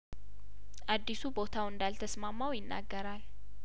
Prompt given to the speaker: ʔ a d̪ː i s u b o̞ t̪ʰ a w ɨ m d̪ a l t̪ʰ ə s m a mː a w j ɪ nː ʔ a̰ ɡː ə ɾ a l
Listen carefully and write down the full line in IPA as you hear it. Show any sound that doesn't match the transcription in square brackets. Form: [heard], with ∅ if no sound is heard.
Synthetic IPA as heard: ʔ a d̪ː i s u b o̞ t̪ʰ a w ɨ [n] d̪ a l t̪ʰ ə s m a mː a w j ɪ nː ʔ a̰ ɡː ə ɾ a l